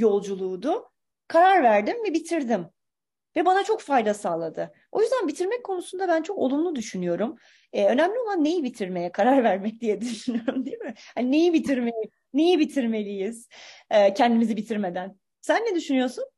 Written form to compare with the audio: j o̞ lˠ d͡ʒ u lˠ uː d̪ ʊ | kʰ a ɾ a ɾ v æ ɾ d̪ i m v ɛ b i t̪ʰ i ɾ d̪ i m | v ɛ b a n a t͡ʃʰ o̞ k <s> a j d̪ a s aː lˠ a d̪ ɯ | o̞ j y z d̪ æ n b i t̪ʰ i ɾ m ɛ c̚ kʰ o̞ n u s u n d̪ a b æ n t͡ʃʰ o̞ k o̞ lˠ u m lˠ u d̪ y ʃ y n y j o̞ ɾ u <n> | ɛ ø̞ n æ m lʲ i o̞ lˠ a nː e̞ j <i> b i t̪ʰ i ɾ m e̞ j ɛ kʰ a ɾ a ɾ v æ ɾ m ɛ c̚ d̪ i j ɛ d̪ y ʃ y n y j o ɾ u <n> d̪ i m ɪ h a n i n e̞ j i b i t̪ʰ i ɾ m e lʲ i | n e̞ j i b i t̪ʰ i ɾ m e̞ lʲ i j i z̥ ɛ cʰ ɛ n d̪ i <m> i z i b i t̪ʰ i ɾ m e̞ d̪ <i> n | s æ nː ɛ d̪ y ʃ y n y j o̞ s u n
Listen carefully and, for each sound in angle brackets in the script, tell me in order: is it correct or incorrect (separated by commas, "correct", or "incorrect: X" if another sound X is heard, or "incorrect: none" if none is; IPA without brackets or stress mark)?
incorrect: f, incorrect: m, correct, incorrect: m, correct, incorrect: æ